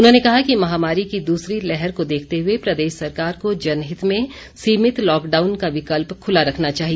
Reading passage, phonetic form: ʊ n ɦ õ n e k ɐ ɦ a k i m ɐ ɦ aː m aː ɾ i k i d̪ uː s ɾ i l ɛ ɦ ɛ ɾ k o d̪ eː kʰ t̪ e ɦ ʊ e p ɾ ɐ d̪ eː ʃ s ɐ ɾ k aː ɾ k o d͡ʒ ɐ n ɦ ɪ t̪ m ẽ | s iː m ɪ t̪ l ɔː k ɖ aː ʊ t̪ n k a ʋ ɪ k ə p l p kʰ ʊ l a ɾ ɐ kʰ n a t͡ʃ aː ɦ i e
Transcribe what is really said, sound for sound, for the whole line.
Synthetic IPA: ʊ n ɦ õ n e k ɐ ɦ a k i m ɐ ɦ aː m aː ɾ i k i d̪ uː s ɾ i l ɛ ɦ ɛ ɾ k o d̪ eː kʰ t̪ e ɦ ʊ e p ɾ ɐ d̪ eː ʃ s ɐ ɾ k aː ɾ k o d͡ʒ ɐ n ɦ ɪ t̪ m ẽ | s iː m ɪ t̪ l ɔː k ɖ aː ʊ n k a ʋ ɪ k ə l p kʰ ʊ l a ɾ ɐ kʰ n a t͡ʃ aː ɦ i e